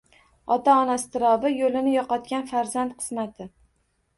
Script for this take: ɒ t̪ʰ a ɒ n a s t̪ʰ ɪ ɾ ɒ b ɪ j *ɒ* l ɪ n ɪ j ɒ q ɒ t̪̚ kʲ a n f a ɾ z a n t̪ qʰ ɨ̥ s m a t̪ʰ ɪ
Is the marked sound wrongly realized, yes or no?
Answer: yes